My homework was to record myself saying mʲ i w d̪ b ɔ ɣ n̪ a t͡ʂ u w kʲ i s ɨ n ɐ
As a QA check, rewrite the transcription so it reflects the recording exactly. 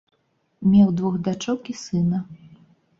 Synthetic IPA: mʲ ɛ w d̪ v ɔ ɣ d̪ a t͡ʂ ɔ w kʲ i s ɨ n ɐ